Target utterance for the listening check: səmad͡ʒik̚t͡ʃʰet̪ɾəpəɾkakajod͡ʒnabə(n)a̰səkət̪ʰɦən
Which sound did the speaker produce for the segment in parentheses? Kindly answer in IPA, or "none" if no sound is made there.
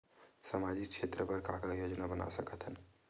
n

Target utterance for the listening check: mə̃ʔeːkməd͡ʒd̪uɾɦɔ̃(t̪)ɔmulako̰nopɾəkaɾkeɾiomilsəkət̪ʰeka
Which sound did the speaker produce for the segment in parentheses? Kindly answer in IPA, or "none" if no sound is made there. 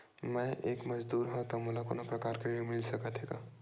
t̪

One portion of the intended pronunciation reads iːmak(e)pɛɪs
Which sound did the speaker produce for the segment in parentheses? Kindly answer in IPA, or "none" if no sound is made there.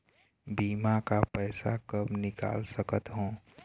a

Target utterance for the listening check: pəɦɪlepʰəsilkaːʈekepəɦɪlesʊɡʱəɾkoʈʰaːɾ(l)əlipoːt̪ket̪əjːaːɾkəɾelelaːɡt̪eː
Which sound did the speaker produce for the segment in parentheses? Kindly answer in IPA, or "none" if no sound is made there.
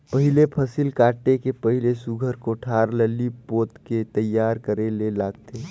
l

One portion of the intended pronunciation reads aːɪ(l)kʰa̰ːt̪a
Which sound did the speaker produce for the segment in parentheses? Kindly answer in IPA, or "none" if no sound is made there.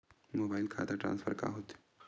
l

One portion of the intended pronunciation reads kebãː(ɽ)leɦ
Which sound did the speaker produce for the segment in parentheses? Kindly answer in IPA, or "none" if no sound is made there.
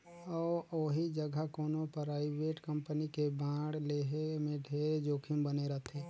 ɽ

